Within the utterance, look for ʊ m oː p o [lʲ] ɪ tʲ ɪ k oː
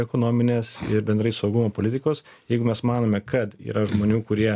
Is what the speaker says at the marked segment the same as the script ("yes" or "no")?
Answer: yes